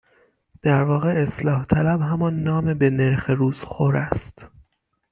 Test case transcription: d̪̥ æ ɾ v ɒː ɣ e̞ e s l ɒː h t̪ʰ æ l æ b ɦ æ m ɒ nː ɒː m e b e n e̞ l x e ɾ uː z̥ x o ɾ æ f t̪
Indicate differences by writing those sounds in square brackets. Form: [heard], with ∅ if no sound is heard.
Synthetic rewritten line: d̪̥ æ ɾ v ɒː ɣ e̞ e s l ɒː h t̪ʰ æ l æ b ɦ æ m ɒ nː ɒː m e b e n e̞ [ɾ] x e ɾ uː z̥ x o ɾ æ [s] t̪